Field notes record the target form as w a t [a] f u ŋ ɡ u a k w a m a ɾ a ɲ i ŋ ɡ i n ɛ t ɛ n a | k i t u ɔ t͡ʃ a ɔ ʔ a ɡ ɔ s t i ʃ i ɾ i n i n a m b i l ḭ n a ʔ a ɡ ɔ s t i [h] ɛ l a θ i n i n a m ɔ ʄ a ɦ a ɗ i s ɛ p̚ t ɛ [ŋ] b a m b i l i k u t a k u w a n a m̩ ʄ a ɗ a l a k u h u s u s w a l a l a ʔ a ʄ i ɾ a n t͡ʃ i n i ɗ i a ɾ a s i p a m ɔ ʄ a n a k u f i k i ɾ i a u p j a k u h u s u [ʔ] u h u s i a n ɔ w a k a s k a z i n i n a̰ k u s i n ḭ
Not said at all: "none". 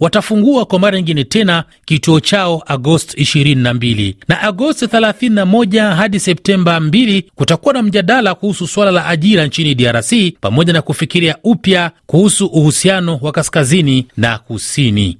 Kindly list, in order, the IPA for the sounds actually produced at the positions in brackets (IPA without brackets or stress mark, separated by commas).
a, θ, m, ʔ